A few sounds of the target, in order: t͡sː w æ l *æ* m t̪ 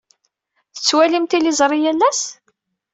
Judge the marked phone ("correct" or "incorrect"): incorrect